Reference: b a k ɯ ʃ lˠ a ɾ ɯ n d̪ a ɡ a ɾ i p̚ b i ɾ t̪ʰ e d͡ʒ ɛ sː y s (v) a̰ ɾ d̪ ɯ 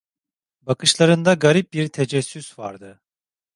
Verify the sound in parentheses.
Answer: correct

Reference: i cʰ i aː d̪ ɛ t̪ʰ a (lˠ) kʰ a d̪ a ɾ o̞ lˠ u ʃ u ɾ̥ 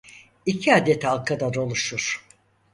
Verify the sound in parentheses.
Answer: correct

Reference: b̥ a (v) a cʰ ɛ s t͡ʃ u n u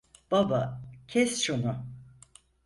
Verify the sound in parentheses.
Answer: incorrect: b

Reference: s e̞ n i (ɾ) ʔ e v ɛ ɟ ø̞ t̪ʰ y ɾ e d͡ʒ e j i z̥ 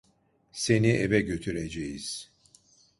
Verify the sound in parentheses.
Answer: incorrect: none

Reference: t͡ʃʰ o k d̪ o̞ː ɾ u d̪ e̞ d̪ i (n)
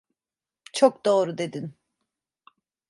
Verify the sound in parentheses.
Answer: correct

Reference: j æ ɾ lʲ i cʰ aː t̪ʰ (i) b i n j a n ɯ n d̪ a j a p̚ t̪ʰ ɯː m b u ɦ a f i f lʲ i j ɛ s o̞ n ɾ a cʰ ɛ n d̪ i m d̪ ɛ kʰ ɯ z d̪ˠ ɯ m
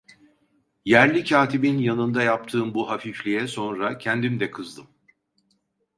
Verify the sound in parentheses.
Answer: correct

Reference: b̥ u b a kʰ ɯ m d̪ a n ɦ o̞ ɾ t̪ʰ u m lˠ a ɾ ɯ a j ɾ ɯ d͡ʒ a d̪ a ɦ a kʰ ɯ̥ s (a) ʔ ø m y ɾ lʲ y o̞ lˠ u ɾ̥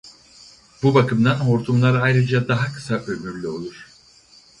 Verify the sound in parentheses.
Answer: correct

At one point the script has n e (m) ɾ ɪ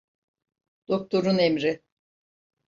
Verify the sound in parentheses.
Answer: correct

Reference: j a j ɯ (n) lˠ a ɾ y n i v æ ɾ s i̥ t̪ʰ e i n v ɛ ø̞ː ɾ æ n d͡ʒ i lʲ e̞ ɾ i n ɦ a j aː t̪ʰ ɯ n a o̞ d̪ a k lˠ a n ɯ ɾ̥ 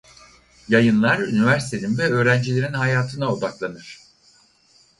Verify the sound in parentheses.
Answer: correct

